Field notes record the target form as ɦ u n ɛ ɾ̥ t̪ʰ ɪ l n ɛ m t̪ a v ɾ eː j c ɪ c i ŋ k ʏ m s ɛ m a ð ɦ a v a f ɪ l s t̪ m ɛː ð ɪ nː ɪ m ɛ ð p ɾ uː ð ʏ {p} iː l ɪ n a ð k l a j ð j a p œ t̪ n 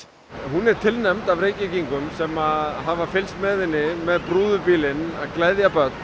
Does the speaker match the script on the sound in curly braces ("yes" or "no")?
yes